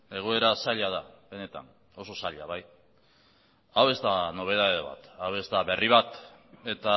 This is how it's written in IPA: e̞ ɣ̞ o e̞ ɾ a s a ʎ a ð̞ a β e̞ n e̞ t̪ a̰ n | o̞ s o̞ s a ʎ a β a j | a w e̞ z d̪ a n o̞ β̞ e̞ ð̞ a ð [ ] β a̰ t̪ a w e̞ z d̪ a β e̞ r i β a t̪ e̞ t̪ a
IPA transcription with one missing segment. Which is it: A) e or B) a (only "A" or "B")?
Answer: A